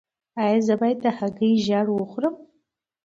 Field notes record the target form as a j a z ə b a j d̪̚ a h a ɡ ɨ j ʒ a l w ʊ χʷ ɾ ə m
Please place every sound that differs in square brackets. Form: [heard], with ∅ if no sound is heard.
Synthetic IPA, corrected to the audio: a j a z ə b a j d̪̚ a h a ɡ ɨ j ʒ a [ɽ] w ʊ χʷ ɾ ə m